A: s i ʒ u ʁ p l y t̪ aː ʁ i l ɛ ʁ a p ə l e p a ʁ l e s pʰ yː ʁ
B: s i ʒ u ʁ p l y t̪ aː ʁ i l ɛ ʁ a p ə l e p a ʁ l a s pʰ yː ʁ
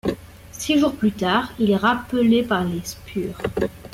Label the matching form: A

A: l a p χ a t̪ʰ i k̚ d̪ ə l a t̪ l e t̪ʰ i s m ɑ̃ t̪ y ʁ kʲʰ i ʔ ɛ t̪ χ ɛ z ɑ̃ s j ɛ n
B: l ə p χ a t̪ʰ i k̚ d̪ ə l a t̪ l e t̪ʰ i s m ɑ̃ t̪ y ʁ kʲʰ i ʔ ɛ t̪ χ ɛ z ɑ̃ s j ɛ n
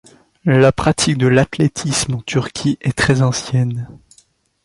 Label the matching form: A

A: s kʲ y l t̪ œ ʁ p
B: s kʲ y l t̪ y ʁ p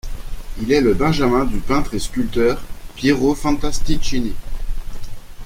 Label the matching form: A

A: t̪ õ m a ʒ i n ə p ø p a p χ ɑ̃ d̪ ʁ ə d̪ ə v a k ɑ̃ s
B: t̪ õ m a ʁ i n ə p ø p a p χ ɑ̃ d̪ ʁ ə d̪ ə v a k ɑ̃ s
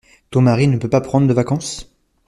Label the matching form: B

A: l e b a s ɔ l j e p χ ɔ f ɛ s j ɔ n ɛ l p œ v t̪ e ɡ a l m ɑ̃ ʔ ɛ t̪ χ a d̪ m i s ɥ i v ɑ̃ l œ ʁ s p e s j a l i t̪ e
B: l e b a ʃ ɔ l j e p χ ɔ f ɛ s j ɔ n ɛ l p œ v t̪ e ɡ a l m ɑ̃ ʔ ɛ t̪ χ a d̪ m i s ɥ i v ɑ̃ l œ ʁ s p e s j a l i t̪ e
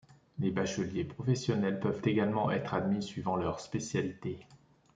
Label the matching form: B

